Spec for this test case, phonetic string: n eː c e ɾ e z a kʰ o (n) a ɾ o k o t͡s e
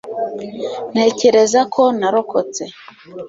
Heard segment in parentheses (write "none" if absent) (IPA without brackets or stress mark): n